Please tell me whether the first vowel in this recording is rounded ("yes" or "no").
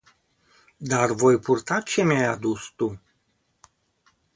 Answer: no